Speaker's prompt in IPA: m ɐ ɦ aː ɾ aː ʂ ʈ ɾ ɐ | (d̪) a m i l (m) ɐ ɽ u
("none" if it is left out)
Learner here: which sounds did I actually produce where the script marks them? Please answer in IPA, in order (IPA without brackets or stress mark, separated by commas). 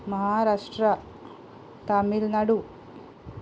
t̪, n